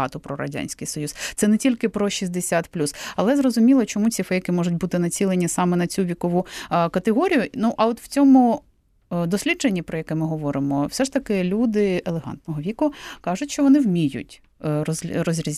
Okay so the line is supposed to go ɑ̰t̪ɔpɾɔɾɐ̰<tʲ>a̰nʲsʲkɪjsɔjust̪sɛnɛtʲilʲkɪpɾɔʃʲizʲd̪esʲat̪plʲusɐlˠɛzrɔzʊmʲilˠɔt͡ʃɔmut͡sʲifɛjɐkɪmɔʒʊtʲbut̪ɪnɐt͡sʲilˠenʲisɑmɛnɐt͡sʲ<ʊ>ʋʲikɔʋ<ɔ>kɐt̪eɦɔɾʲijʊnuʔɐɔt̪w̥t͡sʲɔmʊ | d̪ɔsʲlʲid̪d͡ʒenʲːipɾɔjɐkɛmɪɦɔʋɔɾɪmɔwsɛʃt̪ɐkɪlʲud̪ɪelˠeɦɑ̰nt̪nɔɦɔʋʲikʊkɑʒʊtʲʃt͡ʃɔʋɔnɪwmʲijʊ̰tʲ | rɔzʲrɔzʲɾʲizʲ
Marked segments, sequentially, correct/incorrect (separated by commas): incorrect, incorrect, incorrect